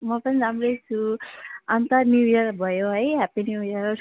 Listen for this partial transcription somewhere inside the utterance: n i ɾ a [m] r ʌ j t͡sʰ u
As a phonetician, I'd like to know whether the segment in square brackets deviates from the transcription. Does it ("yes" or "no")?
no